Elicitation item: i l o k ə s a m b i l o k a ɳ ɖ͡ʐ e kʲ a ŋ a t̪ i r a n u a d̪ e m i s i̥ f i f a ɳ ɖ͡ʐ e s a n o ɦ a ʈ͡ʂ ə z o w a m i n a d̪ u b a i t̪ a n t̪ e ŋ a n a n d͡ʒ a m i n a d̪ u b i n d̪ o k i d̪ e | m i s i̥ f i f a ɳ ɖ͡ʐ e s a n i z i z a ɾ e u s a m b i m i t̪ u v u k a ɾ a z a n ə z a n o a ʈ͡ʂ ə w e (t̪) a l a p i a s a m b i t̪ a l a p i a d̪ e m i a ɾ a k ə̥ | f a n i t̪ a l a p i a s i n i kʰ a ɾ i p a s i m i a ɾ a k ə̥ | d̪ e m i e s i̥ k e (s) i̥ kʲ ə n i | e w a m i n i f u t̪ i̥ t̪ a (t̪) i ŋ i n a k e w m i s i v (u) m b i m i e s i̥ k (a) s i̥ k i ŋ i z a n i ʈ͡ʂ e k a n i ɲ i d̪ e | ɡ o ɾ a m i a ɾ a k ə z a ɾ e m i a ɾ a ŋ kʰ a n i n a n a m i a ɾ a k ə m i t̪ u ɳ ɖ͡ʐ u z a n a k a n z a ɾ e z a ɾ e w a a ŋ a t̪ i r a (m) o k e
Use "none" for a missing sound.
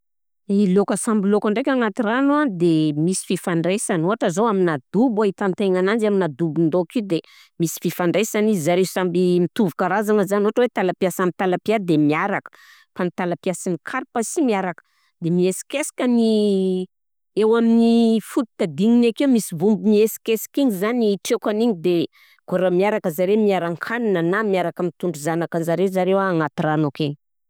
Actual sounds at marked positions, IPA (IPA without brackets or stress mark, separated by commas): t̪, s, d̪, u, e, n